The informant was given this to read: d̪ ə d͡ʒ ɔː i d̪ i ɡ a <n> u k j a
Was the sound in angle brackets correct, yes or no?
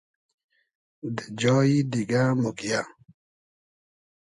no